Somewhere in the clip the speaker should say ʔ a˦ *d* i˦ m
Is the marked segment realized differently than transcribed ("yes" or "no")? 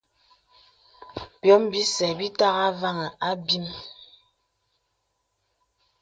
yes